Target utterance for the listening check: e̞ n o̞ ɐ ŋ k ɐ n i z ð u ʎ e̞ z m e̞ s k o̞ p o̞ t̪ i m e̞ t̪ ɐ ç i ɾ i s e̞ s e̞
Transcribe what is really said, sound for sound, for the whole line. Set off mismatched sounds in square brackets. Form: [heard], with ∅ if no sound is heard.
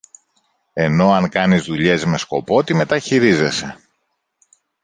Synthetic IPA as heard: e̞ n o̞ ɐ ŋ k ɐ n i z ð u ʎ e̞ z m e̞ s k o̞ p o̞ t̪ i m e̞ t̪ ɐ ç i ɾ i [z] e̞ s e̞